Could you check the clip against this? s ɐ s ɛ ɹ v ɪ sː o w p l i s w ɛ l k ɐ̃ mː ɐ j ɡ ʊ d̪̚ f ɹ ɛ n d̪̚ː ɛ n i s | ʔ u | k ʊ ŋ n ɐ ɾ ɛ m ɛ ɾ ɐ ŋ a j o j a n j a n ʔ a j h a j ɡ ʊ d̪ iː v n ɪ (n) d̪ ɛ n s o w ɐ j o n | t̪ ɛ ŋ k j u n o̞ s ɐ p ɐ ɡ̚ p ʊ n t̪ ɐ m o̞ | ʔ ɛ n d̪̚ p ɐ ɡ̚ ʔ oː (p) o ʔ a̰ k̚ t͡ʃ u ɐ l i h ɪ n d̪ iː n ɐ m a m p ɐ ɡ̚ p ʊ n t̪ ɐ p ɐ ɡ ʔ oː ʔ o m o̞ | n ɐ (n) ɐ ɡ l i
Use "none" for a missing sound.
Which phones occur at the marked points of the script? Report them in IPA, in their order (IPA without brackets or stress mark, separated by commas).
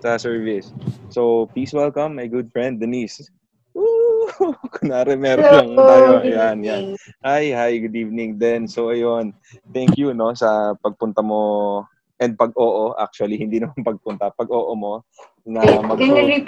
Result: ŋ, ʔ, m